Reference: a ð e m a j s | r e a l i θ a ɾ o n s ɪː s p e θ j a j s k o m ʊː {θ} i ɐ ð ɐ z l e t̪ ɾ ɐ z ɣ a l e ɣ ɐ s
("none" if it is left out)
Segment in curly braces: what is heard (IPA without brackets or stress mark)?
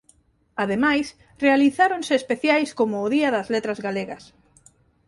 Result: ð